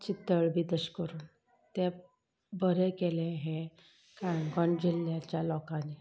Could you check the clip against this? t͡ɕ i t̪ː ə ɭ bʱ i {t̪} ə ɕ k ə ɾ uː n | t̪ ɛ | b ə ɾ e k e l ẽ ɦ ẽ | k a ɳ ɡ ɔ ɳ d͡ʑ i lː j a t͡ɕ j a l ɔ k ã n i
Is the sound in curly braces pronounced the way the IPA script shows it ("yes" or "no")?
no